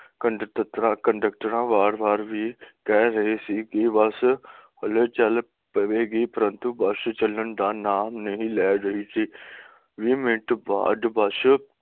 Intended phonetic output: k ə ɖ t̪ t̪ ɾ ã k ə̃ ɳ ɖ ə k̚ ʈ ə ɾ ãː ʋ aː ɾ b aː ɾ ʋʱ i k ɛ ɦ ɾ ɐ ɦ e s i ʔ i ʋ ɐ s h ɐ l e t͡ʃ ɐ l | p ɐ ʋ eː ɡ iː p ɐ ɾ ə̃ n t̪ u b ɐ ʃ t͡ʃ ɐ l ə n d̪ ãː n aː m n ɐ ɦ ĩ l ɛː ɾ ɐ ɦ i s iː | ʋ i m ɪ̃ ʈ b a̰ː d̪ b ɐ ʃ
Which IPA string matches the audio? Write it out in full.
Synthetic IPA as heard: k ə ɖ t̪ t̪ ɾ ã k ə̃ ɳ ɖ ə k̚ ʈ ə ɾ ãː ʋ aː ɾ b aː ɾ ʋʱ i k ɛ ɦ ɾ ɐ ɦ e s i k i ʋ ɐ s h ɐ l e t͡ʃ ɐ l | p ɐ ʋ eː ɡ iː p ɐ ɾ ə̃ n t̪ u b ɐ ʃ t͡ʃ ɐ l ə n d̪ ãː n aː m n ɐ ɦ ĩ l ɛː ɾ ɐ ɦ i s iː | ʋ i m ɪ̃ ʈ b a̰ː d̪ b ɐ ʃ